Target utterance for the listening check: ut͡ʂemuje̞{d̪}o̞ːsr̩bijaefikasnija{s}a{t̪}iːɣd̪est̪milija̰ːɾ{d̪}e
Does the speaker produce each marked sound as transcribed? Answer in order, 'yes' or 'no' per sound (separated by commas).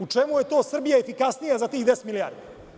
no, no, yes, yes